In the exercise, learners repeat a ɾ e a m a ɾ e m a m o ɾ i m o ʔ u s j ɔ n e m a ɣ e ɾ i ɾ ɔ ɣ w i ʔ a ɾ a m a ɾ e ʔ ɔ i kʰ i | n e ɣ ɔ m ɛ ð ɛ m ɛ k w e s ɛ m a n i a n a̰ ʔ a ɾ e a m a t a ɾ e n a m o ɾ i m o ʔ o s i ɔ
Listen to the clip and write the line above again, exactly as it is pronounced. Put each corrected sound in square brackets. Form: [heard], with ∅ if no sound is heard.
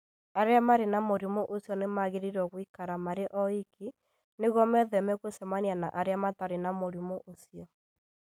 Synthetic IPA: a ɾ e a m a ɾ e [n] a m o ɾ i m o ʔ [o] s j ɔ n e m a ɣ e ɾ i ɾ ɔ ɣ w i [k] a ɾ a m a ɾ e ʔ ɔ i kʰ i | n e ɣ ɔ m ɛ ð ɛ m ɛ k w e s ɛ m a n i a n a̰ ʔ a ɾ e a m a t a ɾ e n a m o ɾ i m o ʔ o s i ɔ